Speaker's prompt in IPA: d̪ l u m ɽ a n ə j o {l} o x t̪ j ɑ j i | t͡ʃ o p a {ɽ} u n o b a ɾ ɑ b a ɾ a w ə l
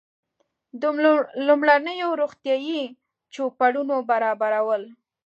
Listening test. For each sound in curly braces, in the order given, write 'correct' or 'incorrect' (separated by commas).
incorrect, correct